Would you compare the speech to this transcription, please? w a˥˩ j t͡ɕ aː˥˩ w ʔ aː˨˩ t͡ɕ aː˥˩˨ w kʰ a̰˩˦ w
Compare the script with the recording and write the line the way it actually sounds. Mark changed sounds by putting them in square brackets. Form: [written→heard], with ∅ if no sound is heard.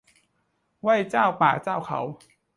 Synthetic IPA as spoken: w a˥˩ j t͡ɕ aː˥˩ w [ʔ→p] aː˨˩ t͡ɕ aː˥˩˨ w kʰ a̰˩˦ w